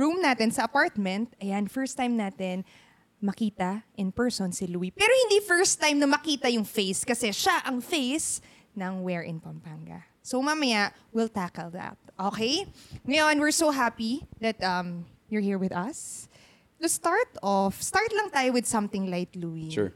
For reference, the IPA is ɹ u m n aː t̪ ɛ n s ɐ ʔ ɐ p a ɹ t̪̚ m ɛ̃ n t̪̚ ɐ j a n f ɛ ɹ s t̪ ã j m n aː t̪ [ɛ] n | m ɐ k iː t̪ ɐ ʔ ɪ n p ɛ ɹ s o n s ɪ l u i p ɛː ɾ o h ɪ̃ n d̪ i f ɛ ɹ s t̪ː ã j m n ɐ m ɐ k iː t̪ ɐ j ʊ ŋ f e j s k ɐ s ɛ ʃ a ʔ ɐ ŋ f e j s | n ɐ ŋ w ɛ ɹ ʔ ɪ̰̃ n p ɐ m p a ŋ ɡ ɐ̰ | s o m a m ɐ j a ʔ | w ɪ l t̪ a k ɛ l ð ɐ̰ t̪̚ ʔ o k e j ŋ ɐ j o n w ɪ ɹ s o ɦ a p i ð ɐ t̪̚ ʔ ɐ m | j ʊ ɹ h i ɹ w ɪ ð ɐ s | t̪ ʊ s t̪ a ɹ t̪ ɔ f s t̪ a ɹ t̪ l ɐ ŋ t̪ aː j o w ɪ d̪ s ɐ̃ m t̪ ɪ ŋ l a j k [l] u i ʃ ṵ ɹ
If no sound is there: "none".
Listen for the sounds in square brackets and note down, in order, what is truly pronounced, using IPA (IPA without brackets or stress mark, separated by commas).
ɛ, l